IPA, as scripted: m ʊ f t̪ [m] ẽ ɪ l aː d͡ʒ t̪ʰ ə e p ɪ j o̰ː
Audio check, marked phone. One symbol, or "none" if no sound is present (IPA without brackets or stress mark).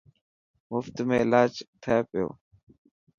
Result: m